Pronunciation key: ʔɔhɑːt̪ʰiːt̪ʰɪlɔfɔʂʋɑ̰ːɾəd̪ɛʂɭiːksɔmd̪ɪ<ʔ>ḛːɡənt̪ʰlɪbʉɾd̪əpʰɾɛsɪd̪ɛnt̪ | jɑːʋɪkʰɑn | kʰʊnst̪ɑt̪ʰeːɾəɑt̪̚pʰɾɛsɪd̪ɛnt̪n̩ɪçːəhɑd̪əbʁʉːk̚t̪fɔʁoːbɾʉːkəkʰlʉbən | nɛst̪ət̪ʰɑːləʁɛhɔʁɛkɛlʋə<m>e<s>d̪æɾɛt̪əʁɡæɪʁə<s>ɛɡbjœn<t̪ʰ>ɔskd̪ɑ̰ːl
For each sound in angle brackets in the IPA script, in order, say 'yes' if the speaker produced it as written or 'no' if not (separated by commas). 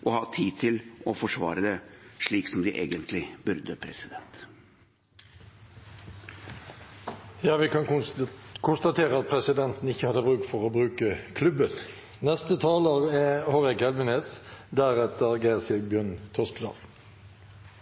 yes, no, yes, yes, yes